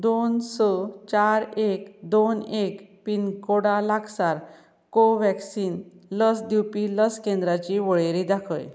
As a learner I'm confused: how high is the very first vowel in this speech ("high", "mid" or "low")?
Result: mid